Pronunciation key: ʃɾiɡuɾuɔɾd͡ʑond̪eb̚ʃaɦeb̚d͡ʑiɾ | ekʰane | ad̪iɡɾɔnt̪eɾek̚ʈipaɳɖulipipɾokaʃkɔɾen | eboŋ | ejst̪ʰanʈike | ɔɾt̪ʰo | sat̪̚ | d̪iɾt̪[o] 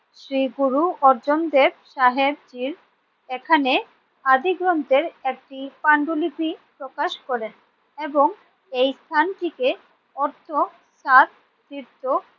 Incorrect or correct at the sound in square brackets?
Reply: correct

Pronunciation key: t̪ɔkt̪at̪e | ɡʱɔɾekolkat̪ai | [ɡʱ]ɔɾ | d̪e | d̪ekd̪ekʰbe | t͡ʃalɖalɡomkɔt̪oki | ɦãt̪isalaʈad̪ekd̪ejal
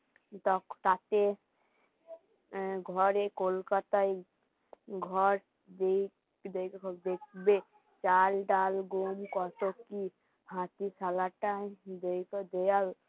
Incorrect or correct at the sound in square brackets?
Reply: correct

